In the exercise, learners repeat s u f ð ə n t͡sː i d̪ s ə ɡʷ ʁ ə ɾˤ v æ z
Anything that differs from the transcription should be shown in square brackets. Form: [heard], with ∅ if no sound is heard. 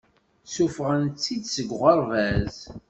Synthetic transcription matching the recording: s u f [ʁ] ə n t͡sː i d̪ s ə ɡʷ ʁ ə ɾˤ v æ z